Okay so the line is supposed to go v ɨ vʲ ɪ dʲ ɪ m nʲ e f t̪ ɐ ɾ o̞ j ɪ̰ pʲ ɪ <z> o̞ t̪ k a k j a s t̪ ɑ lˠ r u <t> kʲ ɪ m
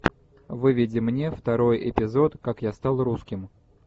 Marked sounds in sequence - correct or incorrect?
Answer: correct, incorrect: s

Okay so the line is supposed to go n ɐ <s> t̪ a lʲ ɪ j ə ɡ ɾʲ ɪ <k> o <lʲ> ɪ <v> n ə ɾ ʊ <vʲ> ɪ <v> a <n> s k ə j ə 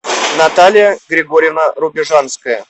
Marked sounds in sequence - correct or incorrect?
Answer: incorrect: none, incorrect: ɡ, incorrect: ɾʲ, correct, incorrect: bʲ, incorrect: ʐ, correct

